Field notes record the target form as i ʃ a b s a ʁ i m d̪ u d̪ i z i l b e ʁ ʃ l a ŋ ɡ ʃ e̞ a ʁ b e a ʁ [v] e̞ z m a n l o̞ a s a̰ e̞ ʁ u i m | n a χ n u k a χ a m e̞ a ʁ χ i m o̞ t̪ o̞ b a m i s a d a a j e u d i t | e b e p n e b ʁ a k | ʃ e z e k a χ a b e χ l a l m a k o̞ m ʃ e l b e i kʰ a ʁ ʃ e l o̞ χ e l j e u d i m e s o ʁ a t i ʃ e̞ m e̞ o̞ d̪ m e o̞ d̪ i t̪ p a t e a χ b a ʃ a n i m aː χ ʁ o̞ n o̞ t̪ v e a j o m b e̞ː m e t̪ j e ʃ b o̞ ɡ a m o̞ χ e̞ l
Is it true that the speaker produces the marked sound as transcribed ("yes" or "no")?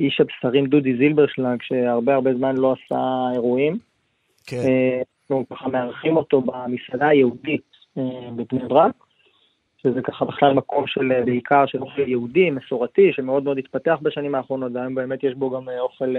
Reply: no